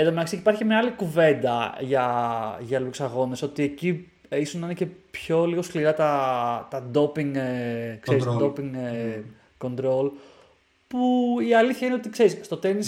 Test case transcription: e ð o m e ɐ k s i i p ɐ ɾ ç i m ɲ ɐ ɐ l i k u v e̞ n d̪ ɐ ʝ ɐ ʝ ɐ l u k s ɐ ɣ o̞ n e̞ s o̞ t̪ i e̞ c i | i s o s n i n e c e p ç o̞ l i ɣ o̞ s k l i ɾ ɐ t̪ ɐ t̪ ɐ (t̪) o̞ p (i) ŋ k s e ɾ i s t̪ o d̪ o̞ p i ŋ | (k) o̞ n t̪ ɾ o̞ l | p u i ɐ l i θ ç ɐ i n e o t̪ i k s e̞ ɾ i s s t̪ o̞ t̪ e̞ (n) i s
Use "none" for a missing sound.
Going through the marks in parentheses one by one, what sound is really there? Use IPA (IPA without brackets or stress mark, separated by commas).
d̪, i, k, n